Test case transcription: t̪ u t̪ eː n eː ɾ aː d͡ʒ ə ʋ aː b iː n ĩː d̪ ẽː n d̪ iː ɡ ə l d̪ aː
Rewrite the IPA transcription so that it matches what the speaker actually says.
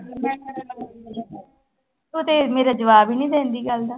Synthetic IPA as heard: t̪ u t̪ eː m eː ɾ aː d͡ʒ ə ʋ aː b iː n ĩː d̪ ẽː n d̪ iː ɡ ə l d̪ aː